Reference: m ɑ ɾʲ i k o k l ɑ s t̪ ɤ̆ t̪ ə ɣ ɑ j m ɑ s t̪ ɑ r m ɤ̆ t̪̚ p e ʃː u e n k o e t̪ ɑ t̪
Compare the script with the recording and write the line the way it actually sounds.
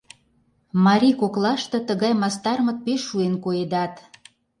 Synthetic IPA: m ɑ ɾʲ i k o k l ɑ ʃ t̪ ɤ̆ t̪ ə ɣ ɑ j m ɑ s t̪ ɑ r m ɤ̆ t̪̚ p e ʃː u e n k o e d̪ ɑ t̪